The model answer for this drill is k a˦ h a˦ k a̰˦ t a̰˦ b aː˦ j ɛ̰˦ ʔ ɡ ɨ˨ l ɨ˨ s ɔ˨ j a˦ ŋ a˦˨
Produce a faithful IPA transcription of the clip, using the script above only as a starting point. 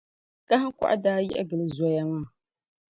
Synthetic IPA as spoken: k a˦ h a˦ k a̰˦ ʔ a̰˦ d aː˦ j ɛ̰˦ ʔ ɡ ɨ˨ l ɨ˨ z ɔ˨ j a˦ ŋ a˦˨